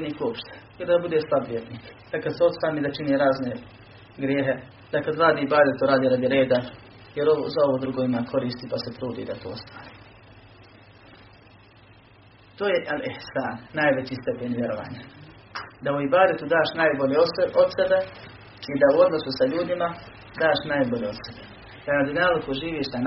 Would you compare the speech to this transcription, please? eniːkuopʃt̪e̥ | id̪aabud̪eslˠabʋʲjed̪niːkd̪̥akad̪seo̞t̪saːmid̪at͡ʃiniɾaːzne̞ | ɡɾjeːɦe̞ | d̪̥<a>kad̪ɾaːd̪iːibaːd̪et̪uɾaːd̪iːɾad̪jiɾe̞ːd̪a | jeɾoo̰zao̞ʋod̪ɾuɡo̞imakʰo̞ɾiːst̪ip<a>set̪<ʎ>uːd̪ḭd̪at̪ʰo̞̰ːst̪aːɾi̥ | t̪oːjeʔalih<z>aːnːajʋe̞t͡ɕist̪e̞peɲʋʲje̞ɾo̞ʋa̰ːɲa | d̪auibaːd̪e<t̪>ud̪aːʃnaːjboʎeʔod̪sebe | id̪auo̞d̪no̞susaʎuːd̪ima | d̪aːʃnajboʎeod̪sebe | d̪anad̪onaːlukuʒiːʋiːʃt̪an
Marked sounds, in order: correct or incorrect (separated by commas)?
correct, correct, incorrect, incorrect, correct